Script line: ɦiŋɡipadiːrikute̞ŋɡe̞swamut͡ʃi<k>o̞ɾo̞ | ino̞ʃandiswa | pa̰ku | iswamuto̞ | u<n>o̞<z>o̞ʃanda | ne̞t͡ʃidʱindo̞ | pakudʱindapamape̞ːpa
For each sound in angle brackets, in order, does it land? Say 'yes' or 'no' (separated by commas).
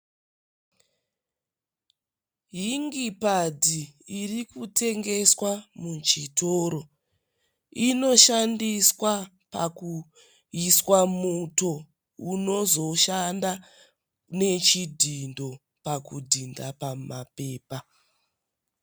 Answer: no, yes, yes